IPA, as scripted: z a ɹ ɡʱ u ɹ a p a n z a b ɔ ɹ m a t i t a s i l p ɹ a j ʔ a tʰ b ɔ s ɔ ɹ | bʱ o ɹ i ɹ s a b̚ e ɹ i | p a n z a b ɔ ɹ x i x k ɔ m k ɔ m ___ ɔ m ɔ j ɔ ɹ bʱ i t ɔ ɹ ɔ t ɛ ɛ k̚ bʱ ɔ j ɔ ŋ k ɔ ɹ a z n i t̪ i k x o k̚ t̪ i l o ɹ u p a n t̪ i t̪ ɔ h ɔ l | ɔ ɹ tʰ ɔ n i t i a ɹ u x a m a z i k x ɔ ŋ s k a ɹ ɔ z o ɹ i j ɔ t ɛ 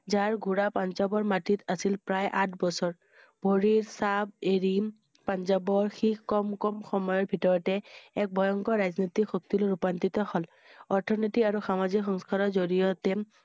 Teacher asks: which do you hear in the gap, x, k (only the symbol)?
x